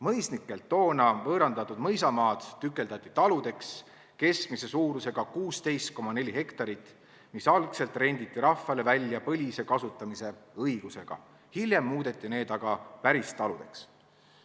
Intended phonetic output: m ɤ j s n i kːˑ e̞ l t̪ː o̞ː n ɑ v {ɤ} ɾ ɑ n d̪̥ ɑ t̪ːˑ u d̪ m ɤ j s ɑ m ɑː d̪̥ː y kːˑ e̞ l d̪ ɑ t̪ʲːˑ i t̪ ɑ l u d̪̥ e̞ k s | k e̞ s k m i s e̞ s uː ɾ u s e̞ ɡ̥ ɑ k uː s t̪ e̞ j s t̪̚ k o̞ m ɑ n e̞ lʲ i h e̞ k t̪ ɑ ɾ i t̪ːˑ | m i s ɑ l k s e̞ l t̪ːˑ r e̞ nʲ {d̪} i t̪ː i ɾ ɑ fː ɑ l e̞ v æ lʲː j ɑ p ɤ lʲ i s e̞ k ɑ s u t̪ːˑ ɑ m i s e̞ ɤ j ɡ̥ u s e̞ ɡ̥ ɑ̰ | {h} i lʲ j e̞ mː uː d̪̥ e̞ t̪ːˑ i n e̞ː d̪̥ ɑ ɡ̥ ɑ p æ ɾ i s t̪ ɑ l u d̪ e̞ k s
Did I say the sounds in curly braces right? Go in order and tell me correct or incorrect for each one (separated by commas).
incorrect, correct, correct